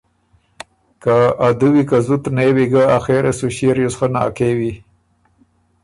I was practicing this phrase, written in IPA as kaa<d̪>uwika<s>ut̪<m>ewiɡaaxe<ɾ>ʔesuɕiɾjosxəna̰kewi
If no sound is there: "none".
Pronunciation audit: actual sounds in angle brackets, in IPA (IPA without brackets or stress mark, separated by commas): d̪, z, n, ɾ